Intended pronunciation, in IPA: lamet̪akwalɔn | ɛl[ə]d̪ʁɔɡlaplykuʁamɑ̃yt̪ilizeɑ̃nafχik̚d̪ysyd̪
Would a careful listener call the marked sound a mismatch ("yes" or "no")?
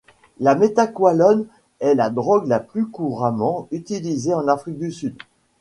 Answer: yes